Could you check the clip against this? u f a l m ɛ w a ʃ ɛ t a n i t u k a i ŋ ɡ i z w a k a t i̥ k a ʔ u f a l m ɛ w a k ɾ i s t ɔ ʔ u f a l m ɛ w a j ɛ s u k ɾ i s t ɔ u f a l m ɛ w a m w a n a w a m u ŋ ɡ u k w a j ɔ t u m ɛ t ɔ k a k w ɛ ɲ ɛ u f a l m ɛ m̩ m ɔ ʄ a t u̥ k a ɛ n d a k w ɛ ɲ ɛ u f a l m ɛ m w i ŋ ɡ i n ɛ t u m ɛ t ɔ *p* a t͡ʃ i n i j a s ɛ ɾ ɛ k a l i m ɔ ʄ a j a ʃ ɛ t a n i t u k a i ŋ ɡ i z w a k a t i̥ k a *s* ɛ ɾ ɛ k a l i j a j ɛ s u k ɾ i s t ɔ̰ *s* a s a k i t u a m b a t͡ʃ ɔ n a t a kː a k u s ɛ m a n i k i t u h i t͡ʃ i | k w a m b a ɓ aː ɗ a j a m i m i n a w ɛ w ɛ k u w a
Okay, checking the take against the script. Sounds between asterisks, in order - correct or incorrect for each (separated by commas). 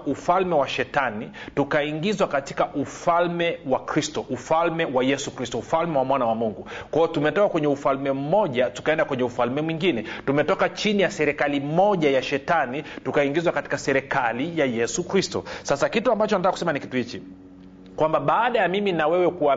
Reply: incorrect, correct, correct